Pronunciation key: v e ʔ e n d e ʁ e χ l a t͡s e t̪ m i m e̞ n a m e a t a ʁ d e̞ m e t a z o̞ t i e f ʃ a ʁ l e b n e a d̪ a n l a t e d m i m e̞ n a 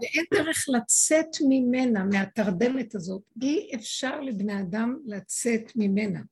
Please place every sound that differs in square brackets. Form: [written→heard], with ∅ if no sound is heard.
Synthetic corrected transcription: v e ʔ e n d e ʁ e χ l a t͡s e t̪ m i m e̞ n a m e a t a ʁ d e̞ m e t a z o̞ t i e f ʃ a ʁ l e b n e a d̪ a [n→m] l a [t→t͡s] e [d→t] m i m e̞ n a